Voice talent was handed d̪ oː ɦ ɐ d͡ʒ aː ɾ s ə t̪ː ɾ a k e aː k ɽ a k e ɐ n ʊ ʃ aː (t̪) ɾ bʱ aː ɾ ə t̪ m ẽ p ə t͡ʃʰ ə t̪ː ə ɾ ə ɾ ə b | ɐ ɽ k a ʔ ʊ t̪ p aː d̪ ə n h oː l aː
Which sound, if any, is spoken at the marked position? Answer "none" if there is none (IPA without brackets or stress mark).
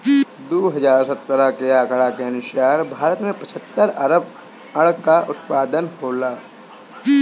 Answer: none